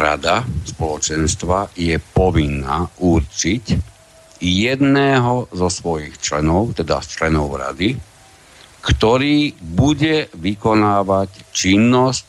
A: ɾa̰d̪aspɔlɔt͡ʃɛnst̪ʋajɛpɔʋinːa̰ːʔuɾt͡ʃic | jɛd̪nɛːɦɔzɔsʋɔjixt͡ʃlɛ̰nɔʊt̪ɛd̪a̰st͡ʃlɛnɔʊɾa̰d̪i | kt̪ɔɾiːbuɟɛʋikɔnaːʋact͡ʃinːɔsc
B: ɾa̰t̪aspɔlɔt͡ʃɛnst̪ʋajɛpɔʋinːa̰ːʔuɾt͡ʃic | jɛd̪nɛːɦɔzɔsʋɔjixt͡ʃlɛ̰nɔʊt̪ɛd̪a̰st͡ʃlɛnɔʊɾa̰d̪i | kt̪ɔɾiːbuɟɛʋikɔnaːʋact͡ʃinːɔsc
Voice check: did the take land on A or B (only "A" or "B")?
A